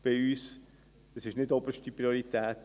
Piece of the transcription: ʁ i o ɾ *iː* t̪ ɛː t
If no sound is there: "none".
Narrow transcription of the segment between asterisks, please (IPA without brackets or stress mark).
i